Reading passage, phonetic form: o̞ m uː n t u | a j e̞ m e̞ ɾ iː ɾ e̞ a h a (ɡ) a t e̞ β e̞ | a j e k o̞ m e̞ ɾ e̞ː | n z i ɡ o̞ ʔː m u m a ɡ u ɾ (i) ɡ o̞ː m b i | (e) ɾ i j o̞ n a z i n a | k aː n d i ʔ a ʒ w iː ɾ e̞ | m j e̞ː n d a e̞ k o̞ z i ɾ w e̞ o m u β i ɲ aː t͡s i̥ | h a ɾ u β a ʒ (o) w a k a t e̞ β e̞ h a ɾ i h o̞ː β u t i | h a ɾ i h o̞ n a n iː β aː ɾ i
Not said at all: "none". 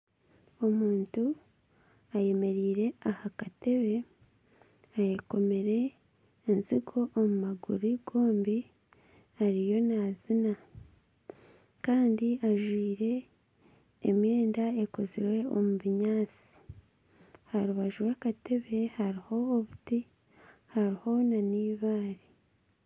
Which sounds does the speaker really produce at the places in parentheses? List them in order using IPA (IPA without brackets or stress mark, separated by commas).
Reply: k, i, a, u